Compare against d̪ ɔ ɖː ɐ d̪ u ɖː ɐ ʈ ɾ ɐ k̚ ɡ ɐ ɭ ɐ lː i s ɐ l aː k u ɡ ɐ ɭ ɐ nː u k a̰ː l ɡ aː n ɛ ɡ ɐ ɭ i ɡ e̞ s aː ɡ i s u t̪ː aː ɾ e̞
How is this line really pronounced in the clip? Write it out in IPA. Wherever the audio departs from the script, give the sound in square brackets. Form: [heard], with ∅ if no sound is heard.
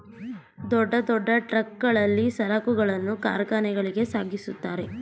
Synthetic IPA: d̪ ɔ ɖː ɐ d̪ [ɔ] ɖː ɐ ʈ ɾ ɐ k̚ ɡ ɐ ɭ ɐ lː i s ɐ l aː k u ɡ ɐ ɭ ɐ nː u k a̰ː [ɾ] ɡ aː n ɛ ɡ ɐ ɭ i ɡ e̞ s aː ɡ i s u t̪ː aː ɾ e̞